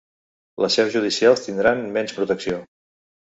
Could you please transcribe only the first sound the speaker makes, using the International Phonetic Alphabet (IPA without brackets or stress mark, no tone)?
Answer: l